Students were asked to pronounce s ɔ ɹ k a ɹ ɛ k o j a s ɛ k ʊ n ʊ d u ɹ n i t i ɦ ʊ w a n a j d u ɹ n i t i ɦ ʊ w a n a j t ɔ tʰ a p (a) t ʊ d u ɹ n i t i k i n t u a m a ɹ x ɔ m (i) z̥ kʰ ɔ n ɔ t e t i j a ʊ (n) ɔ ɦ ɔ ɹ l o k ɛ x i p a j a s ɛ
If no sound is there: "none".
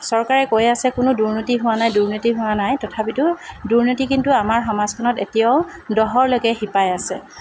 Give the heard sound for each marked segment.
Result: i, a, d

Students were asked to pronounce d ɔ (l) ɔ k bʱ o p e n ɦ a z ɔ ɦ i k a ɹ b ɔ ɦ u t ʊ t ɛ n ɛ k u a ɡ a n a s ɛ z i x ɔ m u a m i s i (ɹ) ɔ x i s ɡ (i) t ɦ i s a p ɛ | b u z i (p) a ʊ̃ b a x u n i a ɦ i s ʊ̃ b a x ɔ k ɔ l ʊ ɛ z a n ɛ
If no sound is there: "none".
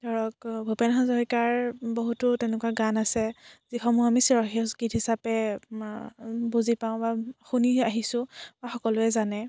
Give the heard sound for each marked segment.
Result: ɹ, ɹ, i, p

